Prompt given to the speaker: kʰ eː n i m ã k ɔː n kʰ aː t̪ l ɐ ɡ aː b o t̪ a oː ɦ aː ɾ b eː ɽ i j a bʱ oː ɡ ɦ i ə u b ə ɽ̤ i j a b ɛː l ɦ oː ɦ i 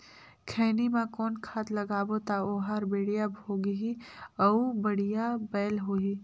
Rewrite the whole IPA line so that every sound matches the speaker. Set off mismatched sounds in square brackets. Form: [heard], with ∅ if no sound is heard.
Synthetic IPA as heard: kʰ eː n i m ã k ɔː n kʰ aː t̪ l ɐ ɡ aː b o t̪ a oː ɦ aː ɾ b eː ɽ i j a bʱ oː ɡ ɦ i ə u b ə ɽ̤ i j a b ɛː l ɦ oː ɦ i